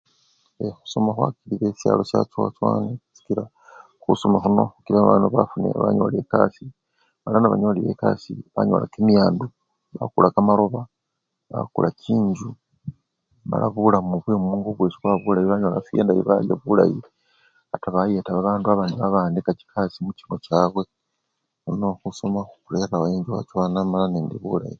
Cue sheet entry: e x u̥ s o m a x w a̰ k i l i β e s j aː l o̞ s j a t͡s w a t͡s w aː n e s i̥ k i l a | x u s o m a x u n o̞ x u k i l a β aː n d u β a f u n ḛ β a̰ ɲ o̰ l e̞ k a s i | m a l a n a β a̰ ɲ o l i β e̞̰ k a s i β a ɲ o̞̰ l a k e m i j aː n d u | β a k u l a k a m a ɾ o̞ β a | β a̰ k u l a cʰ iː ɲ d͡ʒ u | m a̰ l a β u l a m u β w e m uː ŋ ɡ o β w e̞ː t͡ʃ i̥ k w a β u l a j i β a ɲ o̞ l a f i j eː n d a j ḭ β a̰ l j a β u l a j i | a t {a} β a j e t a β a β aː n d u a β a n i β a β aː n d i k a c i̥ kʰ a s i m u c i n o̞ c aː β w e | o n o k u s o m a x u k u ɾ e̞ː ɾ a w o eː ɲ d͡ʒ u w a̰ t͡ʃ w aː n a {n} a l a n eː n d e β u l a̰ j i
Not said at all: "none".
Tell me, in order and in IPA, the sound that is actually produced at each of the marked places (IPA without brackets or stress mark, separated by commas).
a, m